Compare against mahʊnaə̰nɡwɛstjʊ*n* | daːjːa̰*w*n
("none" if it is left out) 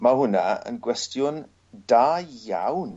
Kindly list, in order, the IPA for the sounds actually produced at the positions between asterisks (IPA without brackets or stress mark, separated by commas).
n, w